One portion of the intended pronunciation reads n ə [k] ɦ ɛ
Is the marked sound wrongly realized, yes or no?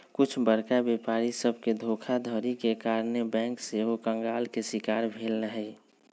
yes